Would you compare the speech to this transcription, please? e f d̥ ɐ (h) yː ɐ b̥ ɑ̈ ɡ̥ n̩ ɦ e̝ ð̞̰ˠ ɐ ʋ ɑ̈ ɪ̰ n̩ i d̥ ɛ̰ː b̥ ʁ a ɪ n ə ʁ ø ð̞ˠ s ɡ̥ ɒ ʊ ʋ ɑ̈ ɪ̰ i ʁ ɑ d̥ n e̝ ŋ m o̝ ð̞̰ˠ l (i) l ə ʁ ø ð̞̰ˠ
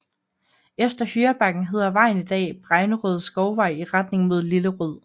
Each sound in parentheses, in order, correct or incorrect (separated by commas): correct, correct